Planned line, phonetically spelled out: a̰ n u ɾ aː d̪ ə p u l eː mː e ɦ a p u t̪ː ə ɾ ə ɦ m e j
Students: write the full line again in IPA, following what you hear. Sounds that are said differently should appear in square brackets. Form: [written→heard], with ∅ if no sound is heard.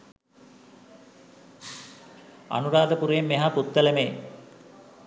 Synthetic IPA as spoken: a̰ n u ɾ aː d̪ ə p u [l→ɾ] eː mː e ɦ a p u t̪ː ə [ɾ→l] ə [ɦ→∅] m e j